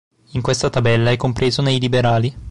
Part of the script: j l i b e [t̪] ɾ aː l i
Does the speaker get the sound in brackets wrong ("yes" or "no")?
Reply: yes